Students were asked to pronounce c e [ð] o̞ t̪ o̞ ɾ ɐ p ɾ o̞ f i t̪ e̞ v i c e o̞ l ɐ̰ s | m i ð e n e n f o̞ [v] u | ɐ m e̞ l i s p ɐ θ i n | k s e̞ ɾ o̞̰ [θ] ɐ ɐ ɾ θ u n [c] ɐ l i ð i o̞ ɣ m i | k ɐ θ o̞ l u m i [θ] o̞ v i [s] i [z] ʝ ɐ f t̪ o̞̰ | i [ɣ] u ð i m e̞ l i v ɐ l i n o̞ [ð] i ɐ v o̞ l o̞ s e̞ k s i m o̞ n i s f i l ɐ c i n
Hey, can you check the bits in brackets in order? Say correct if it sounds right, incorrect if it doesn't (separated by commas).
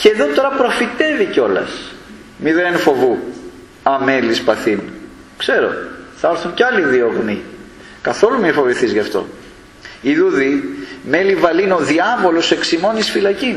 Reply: correct, correct, correct, correct, incorrect, incorrect, correct, incorrect, correct